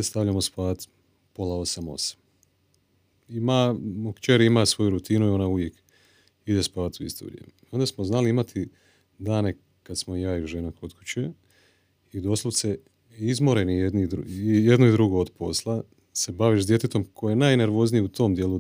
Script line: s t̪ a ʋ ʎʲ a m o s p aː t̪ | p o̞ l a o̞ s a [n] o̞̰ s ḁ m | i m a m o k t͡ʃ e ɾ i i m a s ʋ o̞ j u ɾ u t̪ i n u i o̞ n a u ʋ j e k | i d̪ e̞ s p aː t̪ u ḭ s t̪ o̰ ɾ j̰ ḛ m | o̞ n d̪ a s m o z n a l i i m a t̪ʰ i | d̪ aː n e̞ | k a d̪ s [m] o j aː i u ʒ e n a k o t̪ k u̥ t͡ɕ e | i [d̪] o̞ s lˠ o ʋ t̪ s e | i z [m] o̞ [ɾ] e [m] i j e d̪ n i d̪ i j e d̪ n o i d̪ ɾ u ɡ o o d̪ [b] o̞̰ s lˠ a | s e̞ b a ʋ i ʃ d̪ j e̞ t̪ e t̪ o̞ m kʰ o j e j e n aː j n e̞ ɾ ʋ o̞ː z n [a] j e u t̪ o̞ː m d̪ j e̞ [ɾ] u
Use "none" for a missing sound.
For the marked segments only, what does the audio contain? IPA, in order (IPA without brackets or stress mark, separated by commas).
m, m, d̪, m, ɾ, n, p, i, l